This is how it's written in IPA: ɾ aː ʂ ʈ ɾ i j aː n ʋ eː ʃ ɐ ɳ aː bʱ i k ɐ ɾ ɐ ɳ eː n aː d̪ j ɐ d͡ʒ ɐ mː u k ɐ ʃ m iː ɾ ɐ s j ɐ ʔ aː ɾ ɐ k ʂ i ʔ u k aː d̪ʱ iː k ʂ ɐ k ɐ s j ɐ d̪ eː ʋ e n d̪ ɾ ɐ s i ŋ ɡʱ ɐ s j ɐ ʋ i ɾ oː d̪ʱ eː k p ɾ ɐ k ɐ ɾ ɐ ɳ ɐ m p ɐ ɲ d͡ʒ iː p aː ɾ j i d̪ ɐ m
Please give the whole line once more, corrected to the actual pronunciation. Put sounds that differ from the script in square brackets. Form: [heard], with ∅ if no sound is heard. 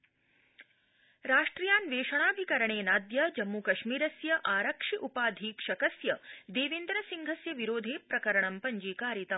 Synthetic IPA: ɾ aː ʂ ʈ ɾ i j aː n ʋ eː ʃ ɐ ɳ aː bʱ i k ɐ ɾ ɐ ɳ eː n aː d̪ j ɐ d͡ʒ ɐ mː u k ɐ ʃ m iː ɾ ɐ s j ɐ ʔ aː ɾ ɐ k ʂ i ʔ u [p] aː d̪ʱ iː k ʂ ɐ k ɐ s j ɐ d̪ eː ʋ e n d̪ ɾ ɐ s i ŋ ɡʱ ɐ s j ɐ ʋ i ɾ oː d̪ʱ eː [∅] p ɾ ɐ k ɐ ɾ ɐ ɳ ɐ m p ɐ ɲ d͡ʒ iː [k] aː ɾ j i [t̪] ɐ m